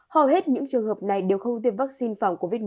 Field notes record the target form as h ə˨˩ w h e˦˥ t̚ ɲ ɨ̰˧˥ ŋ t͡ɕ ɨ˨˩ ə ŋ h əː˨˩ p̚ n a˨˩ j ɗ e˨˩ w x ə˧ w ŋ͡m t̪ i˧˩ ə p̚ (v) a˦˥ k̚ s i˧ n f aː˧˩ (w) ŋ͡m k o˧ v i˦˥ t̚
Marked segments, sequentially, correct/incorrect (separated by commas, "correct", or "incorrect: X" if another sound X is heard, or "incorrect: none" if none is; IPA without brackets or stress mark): correct, correct